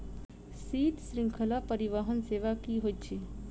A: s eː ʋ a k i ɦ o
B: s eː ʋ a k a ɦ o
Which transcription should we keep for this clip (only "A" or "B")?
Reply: A